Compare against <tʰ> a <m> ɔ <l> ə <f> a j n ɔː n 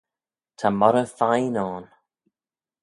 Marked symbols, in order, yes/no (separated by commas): yes, yes, no, yes